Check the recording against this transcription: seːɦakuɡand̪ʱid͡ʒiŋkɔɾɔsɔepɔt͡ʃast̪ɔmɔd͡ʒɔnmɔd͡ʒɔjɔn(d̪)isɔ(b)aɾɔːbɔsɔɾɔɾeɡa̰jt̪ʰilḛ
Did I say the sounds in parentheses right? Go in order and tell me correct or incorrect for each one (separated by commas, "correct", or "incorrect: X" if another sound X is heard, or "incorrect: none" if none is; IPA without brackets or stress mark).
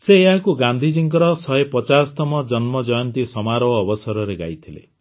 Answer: incorrect: t̪, incorrect: m